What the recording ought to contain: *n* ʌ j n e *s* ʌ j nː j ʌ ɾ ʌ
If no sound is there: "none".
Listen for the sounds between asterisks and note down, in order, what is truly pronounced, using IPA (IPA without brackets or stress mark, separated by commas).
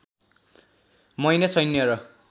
m, s